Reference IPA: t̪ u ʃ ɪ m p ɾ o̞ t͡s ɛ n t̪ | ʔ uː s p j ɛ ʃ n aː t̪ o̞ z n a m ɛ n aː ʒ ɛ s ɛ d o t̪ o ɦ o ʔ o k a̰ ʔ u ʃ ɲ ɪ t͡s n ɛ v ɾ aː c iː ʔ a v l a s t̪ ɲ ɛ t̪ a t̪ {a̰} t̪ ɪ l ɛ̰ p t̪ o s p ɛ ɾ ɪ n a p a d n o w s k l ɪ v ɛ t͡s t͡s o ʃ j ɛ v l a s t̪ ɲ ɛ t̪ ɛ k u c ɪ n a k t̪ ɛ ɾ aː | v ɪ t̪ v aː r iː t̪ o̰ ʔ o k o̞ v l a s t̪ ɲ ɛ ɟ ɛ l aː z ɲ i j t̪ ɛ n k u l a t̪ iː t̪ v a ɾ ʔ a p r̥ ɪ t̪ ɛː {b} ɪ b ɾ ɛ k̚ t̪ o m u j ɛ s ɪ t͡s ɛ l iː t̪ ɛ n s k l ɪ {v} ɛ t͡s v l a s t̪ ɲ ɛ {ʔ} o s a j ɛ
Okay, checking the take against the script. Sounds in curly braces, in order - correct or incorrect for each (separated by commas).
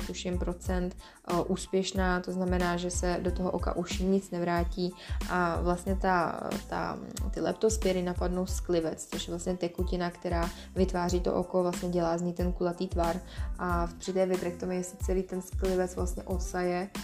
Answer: correct, incorrect, correct, correct